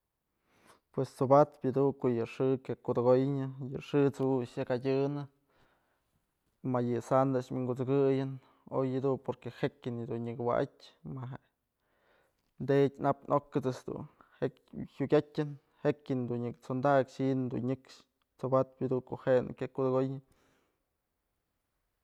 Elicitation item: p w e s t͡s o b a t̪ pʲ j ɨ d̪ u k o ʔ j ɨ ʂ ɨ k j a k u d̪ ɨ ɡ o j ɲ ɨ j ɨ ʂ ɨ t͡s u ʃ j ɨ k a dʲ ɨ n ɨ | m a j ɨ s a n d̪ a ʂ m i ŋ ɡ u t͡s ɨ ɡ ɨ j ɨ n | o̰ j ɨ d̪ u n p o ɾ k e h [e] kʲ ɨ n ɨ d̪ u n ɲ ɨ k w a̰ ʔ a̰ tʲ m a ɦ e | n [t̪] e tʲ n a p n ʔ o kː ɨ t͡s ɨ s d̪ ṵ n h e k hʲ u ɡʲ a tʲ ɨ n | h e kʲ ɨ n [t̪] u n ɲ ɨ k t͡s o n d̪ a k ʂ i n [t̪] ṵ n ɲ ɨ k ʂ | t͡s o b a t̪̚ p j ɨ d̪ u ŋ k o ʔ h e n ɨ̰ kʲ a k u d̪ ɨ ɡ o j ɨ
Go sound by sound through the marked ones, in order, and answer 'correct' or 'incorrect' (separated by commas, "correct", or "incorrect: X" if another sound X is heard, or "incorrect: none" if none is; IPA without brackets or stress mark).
correct, incorrect: d̪, incorrect: d̪, incorrect: d̪